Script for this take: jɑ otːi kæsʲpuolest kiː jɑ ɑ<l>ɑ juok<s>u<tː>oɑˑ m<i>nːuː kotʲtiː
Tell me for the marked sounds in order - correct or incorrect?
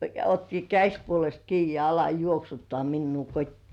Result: correct, correct, correct, correct

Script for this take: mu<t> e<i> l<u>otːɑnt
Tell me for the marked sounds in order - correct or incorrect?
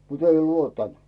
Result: correct, correct, correct

